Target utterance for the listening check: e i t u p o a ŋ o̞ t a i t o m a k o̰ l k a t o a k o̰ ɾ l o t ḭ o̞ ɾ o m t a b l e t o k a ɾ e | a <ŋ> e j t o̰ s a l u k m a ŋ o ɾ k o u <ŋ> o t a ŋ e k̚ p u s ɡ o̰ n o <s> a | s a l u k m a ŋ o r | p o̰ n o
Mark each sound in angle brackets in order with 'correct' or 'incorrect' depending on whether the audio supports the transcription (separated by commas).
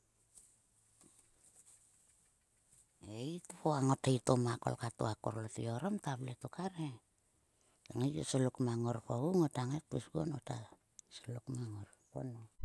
correct, correct, incorrect